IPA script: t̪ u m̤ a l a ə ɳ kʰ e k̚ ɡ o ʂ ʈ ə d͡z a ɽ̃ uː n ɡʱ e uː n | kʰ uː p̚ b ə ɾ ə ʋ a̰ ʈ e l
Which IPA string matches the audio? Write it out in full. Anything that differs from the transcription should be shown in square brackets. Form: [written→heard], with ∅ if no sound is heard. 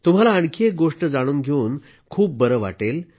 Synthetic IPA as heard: t̪ u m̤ a l a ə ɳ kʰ e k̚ ɡ o ʂ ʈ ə d͡z a ɽ̃ uː n ɡʱ e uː n | kʰ uː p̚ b ə ɾ ə ʋ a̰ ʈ e l

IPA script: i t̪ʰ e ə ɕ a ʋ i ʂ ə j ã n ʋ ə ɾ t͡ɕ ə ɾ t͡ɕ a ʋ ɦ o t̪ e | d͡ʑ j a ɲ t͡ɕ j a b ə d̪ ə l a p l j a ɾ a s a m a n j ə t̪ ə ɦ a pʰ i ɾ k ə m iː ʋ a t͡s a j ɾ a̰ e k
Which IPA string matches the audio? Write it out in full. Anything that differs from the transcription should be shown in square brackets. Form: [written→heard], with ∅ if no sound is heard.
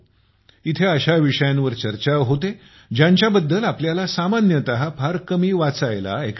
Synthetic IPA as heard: i t̪ʰ e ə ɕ a ʋ i ʂ ə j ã n ʋ ə ɾ t͡ɕ ə ɾ t͡ɕ a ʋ ɦ o t̪ e | d͡ʑ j a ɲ t͡ɕ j a b ə [d̪→d̪ː] ə l a p l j a [ɾ→l] a s a m a n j ə t̪ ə ɦ a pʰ [i→a] ɾ k ə m iː ʋ a t͡s a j [ɾ→l] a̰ e k

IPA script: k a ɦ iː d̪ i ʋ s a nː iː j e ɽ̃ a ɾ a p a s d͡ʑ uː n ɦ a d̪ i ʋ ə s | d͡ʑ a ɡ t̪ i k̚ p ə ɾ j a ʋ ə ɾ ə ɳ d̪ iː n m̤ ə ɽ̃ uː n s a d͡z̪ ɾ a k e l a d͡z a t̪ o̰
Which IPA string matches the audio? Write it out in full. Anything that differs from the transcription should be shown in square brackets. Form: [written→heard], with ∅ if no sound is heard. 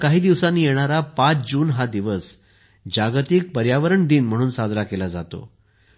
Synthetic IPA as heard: k a ɦ iː d̪ i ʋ s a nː iː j e ɽ̃ a ɾ a p a [s→t͡s] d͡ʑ uː n ɦ a d̪ i ʋ ə s | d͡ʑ a ɡ t̪ i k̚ p ə ɾ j a ʋ ə ɾ ə ɳ d̪ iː n m̤ ə ɽ̃ uː n s a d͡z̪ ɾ a k e l a d͡z a t̪ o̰

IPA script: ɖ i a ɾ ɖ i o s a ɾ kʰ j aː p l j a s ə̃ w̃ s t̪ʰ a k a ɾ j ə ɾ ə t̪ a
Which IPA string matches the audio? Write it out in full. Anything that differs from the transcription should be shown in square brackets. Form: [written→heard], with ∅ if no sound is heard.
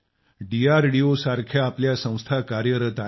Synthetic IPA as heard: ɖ i a ɾ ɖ i o s a ɾ kʰ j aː p l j a s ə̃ w̃ s t̪ʰ a k a ɾ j ə ɾ ə t̪ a

